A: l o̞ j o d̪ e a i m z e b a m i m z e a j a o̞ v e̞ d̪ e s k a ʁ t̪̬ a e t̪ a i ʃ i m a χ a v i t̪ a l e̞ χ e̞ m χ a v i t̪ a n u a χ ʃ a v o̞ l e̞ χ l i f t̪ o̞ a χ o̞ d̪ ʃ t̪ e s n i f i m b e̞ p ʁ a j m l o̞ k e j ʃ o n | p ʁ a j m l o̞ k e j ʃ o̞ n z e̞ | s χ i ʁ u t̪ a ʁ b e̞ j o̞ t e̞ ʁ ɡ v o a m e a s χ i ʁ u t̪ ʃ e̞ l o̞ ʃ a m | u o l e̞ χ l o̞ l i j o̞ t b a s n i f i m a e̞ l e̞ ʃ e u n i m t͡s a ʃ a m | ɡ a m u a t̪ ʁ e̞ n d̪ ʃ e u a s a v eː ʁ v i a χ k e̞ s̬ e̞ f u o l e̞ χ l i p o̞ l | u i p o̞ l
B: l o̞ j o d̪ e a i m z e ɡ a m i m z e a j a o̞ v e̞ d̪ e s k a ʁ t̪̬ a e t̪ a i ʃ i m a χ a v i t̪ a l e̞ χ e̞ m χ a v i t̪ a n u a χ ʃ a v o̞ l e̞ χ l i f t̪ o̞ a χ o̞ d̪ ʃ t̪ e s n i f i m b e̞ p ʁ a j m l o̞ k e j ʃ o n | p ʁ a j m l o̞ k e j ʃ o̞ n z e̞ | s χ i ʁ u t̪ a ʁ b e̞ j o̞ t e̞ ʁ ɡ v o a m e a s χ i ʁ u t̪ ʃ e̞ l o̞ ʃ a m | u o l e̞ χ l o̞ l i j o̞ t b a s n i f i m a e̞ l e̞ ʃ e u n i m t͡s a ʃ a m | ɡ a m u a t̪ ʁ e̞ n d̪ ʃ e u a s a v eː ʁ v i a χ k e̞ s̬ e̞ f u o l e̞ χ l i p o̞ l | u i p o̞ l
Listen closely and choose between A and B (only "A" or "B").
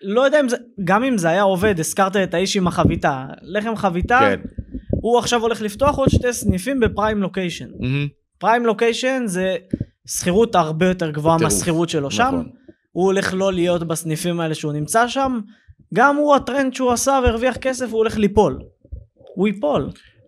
B